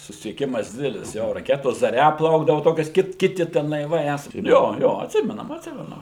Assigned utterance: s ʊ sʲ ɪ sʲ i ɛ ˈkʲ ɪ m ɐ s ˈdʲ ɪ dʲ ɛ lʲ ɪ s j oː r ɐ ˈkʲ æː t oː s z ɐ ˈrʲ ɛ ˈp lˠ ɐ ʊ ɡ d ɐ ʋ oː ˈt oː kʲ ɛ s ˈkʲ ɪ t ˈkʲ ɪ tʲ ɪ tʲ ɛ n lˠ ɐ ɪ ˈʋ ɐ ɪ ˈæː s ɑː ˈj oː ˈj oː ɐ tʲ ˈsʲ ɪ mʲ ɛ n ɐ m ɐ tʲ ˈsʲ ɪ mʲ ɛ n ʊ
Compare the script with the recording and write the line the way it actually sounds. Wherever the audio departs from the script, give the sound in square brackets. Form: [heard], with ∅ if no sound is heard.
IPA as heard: s ʊ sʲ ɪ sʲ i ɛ ˈkʲ ɪ m ɐ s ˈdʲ ɪ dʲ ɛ lʲ ɪ s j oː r ɐ ˈkʲ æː t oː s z ɐ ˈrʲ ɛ ˈp lˠ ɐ ʊ ɡ d ɐ ʋ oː ˈt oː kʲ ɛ s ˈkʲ ɪ t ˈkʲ ɪ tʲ ɪ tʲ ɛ n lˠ ɐ ɪ ˈʋ ɐ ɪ ˈæː s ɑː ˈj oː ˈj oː ɐ tʲ ˈsʲ ɪ mʲ ɛ n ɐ m ɐ tʲ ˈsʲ ɪ mʲ ɛ n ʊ